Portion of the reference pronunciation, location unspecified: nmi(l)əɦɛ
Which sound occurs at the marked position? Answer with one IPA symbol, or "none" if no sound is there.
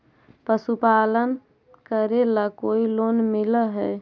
l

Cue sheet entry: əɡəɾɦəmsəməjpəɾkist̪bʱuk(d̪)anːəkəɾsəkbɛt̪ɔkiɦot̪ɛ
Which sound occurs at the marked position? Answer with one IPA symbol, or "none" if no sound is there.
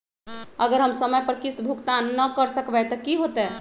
t̪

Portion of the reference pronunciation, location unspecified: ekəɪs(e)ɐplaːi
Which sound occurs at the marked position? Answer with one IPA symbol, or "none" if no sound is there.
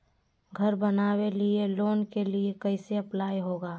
e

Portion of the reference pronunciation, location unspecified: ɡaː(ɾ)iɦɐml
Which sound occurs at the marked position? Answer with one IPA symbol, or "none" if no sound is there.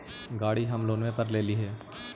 ɽ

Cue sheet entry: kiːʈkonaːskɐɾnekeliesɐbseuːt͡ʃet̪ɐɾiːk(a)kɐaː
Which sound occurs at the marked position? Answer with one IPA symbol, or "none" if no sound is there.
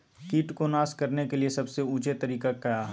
a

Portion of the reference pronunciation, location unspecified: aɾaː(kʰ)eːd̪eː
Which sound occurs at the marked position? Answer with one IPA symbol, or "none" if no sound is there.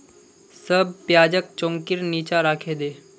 kʰ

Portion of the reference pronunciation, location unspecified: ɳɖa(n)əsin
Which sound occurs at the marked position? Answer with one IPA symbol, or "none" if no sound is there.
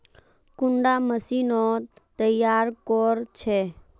m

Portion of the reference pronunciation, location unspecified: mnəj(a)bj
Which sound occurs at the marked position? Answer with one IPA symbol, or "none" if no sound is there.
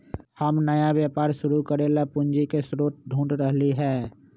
a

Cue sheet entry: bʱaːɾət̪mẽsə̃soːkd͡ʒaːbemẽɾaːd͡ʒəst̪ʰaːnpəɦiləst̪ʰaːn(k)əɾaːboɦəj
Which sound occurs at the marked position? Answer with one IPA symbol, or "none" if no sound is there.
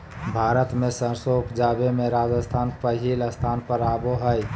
p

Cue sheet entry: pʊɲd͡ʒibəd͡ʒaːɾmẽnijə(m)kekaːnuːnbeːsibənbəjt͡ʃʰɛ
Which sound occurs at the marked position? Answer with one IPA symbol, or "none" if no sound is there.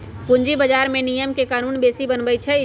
m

